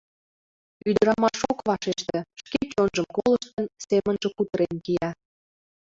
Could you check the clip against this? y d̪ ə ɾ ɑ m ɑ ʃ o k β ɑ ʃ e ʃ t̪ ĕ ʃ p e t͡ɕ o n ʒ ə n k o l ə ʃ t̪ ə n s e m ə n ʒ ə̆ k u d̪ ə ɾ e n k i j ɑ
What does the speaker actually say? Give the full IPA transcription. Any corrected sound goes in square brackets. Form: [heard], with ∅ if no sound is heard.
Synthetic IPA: y d̪ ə ɾ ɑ m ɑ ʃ o k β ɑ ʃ e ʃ t̪ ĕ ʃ [k] e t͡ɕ o n ʒ ə [m] k o l ə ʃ t̪ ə n s e m ə n ʒ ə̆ k u [t̪] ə ɾ e n k i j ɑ